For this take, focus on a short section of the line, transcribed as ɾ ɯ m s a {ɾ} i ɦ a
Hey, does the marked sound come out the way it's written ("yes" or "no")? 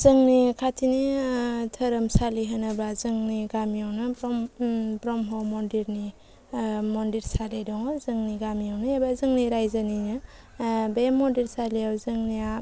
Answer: no